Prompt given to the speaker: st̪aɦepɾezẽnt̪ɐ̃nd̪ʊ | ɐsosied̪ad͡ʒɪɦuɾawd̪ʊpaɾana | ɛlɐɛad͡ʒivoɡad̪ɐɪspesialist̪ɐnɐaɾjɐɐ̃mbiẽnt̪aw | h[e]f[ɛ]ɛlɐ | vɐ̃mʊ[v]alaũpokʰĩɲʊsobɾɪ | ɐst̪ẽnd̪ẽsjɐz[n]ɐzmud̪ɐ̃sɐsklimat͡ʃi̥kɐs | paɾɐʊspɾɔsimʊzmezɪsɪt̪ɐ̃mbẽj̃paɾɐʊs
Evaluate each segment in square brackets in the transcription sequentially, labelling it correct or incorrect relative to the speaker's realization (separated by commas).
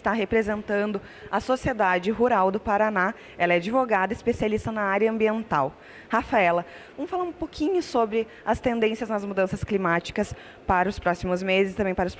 incorrect, incorrect, incorrect, correct